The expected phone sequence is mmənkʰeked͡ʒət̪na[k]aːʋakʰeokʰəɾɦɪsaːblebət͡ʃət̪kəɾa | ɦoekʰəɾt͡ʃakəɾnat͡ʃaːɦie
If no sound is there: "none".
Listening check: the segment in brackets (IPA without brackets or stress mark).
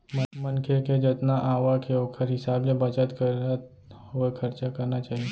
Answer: ʔ